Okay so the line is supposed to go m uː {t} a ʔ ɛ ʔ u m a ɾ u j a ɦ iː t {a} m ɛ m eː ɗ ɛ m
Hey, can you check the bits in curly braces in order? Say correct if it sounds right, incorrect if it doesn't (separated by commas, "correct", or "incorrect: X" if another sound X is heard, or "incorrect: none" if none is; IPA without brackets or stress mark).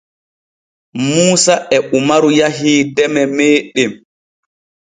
incorrect: s, incorrect: ɛ